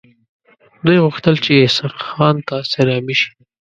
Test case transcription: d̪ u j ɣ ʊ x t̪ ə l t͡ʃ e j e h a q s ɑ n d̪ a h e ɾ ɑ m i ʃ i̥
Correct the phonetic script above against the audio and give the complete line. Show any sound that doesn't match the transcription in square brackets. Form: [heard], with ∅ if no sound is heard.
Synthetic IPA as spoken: d̪ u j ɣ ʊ x t̪ ə l t͡ʃ e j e [s] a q [x] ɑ n [t̪] a [s] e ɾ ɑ m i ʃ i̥